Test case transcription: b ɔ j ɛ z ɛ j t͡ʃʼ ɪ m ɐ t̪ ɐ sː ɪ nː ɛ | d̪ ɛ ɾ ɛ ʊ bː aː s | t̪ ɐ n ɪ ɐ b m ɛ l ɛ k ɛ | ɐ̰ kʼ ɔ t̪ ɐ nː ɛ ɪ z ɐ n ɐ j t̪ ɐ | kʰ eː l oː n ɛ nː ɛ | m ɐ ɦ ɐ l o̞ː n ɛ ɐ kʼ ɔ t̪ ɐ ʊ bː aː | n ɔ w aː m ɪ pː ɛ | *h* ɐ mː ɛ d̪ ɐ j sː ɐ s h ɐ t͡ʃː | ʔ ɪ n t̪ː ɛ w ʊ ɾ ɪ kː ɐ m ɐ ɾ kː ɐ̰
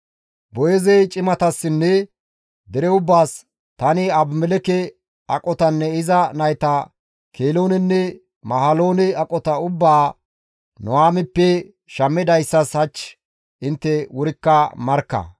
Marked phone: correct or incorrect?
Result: incorrect